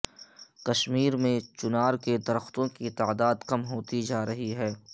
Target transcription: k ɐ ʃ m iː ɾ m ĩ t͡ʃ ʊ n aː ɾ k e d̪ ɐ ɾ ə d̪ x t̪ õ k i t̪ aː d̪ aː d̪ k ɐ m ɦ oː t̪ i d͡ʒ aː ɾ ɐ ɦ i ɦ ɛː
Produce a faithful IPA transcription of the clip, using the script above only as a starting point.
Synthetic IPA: k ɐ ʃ m iː ɾ m ẽ t͡ʃ ʊ n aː ɾ k e d̪ ɐ ɾ ə x t̪ õ k i t̪ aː d̪ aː d̪ k ɐ m ɦ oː t̪ i d͡ʒ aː ɾ ɐ ɦ i ɦ ɛː